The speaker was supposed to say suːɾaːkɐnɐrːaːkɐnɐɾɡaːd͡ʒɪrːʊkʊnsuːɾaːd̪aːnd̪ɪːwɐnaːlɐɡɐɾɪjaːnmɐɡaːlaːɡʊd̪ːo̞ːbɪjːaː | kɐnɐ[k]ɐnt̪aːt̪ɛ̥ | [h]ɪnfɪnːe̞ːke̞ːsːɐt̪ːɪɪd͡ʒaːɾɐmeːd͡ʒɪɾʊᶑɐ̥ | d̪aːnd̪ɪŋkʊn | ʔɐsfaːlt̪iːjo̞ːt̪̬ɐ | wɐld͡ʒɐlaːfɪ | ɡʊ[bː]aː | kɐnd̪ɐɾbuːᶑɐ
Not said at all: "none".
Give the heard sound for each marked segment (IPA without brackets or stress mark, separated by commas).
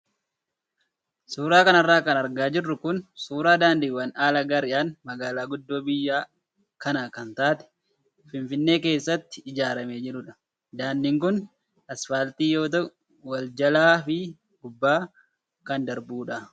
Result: k, f, bː